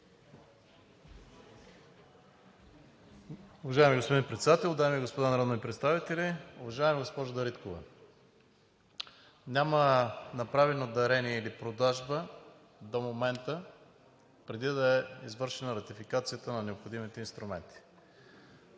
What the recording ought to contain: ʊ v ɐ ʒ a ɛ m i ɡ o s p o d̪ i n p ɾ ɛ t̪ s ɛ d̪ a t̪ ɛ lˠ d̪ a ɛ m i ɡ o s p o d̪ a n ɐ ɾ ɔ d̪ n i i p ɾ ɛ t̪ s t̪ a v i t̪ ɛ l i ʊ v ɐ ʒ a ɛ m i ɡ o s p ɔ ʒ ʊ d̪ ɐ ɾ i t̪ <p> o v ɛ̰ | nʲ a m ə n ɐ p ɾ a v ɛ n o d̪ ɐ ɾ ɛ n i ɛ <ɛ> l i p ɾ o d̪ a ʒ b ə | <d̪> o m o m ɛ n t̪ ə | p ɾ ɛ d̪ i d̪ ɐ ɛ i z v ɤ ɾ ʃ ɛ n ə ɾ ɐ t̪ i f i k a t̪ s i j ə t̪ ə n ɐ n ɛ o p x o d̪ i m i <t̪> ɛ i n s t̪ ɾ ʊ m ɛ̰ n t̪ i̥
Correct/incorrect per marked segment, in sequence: incorrect: k, incorrect: i, correct, correct

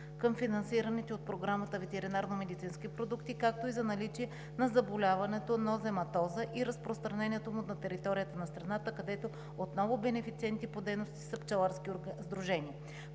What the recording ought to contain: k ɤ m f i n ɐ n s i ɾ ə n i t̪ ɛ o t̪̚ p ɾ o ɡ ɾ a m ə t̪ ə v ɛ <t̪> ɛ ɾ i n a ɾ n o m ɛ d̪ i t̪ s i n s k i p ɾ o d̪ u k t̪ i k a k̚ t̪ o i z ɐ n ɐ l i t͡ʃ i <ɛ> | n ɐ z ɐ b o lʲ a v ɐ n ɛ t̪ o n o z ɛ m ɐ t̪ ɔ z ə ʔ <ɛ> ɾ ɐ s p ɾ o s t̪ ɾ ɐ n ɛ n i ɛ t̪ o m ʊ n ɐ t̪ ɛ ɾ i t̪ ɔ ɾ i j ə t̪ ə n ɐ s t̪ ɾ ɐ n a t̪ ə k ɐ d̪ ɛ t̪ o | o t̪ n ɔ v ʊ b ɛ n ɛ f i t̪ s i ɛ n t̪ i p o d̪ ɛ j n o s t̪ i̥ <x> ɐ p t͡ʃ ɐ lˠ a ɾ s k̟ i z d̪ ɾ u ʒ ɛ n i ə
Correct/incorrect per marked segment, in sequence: correct, correct, incorrect: i, incorrect: s

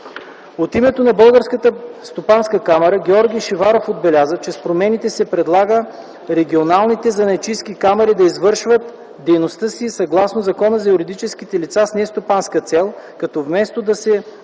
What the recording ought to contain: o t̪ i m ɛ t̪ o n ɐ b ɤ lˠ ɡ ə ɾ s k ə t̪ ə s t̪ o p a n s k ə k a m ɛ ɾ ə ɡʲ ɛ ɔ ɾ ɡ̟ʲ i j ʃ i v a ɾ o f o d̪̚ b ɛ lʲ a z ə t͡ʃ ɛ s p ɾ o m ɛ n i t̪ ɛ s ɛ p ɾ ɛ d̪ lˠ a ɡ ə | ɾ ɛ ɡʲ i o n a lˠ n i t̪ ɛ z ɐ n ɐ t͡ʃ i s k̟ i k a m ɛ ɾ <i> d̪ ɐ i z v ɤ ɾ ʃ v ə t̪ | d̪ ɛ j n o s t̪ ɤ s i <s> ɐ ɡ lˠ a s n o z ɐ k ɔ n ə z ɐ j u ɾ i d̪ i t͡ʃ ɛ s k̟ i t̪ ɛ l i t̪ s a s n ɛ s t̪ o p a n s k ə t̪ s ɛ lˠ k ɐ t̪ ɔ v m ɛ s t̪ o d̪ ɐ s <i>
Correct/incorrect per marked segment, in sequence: correct, correct, incorrect: ɛ

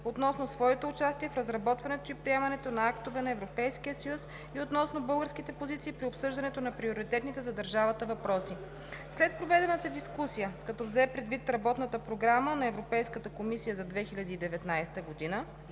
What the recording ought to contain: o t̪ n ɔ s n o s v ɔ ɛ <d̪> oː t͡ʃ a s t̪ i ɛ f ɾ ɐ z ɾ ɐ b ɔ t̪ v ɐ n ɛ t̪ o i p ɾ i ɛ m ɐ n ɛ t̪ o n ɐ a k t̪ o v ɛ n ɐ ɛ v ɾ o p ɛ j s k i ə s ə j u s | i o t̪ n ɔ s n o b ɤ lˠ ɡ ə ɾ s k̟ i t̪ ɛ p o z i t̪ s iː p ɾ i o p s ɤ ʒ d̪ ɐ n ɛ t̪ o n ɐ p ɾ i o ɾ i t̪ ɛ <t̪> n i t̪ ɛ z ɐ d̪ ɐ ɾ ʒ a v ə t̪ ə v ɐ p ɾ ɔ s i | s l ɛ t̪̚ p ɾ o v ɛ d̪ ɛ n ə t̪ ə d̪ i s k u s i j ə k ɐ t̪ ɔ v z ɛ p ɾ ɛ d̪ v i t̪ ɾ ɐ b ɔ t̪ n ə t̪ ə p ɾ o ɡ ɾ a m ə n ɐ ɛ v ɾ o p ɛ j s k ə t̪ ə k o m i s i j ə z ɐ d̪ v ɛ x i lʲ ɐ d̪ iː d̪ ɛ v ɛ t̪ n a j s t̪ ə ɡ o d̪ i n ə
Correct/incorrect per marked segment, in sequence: incorrect: t̪, correct

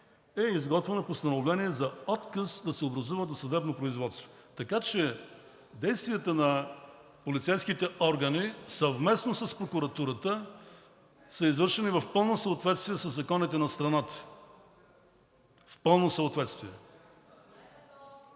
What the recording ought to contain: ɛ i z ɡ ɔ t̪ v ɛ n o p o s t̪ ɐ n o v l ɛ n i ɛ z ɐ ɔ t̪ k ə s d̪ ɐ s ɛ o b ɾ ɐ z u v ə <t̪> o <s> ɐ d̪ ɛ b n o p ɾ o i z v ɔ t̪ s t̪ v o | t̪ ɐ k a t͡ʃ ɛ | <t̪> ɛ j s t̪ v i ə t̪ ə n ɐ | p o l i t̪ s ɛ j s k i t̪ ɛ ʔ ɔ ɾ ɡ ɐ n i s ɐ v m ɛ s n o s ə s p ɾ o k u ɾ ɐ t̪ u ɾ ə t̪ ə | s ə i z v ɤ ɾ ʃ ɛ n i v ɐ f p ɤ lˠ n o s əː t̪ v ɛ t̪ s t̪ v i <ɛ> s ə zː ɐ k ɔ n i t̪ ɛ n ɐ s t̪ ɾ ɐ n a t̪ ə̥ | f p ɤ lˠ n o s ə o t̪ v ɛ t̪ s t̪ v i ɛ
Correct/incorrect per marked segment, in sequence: incorrect: d̪, correct, incorrect: d̪, correct

